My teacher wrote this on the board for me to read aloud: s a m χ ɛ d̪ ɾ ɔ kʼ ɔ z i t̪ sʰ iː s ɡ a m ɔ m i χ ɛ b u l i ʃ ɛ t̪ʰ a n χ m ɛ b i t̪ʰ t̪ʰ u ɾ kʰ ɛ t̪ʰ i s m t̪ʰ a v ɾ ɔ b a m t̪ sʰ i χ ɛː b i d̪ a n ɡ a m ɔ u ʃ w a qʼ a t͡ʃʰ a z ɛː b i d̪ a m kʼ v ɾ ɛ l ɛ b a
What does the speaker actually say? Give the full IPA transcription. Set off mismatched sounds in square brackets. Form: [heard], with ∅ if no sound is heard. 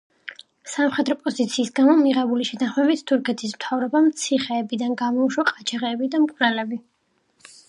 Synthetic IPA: s a m χ ɛ d̪ ɾ ɔ [pʼ] ɔ z i t̪ sʰ iː s ɡ a m ɔ m i [ʁ] ɛ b u l i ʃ ɛ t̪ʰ a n χ m ɛ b i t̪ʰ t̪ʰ u ɾ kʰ ɛ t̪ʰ i s m t̪ʰ a v ɾ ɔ b a m t̪ sʰ i χ ɛː b i d̪ a n ɡ a m ɔ u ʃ w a qʼ a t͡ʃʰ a [ʁ] ɛː b i d̪ a m kʼ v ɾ ɛ l ɛ b [i]